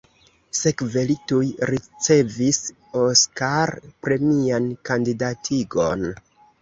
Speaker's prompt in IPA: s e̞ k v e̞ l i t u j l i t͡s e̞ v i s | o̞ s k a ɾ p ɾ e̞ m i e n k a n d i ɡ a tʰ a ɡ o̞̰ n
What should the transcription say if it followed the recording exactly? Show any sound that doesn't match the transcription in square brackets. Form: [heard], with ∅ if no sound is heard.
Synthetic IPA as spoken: s e̞ k v e̞ l i t u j [ɾ] i t͡s e̞ v i s | o̞ s k a ɾ p ɾ e̞ m i [a] n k a n d i [d] a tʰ [i] ɡ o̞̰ n